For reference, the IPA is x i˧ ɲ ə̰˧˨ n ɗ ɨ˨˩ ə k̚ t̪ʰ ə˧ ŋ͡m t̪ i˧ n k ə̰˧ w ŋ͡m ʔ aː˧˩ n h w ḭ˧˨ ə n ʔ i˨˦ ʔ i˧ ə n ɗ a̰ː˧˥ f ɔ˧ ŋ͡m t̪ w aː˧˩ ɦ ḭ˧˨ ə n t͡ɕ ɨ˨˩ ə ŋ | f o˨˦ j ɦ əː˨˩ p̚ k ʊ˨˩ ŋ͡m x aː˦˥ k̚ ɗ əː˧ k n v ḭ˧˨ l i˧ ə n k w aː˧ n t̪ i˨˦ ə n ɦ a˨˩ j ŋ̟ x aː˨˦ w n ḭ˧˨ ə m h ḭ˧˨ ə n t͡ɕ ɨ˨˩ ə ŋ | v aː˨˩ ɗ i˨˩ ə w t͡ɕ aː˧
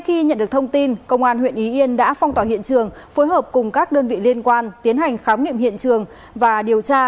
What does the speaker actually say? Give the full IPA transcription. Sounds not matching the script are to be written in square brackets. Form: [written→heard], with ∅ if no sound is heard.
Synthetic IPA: x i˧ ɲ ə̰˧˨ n ɗ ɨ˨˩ ə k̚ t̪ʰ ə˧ ŋ͡m t̪ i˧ n k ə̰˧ w ŋ͡m ʔ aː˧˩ n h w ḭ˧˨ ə n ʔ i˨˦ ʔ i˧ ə n ɗ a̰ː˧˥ f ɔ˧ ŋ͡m t̪ w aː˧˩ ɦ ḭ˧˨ ə n t͡ɕ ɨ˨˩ ə ŋ | f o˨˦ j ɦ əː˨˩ p̚ k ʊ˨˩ ŋ͡m [x→k] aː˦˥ k̚ ɗ əː˧ [k→∅] n v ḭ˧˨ l i˧ ə n k w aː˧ n t̪ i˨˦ ə n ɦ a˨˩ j ŋ̟ x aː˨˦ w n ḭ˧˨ ə m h ḭ˧˨ ə n t͡ɕ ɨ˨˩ ə ŋ | v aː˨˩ ɗ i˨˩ ə w t͡ɕ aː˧